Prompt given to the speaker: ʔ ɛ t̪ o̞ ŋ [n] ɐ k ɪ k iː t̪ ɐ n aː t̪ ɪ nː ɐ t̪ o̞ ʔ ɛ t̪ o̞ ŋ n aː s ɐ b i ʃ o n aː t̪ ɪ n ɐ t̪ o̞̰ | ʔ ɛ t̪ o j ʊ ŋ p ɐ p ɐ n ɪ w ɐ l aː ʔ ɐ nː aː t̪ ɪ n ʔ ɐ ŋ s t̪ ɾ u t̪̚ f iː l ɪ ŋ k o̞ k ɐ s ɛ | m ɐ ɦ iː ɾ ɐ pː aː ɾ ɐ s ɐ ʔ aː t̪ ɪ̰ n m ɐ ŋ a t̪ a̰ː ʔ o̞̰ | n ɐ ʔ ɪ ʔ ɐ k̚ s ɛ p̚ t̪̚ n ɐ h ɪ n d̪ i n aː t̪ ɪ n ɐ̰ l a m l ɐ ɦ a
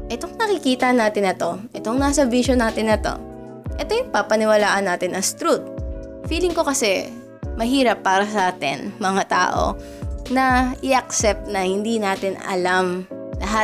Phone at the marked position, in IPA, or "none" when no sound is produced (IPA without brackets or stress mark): n